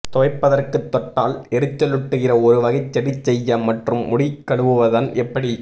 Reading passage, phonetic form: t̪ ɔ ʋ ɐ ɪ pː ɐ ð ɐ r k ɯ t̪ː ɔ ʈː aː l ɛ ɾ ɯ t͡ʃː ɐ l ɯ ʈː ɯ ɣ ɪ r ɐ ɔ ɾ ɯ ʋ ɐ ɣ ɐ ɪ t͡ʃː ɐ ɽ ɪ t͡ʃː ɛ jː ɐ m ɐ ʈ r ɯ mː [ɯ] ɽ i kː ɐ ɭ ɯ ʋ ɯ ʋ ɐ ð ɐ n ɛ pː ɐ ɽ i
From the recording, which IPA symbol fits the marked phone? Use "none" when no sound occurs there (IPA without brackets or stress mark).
ʊ